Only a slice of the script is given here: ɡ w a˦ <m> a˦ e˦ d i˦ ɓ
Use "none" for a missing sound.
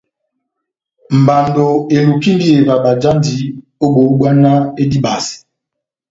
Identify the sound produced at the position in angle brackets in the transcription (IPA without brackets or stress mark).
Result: n